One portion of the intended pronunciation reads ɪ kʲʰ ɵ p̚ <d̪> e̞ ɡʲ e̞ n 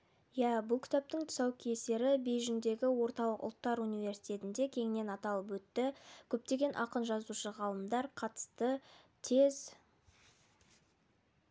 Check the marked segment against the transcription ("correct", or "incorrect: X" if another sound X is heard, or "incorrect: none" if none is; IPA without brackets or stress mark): incorrect: t̪